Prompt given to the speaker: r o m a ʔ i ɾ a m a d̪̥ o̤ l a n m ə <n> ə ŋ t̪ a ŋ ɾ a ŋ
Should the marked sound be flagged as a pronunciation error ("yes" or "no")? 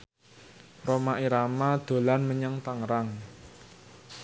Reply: yes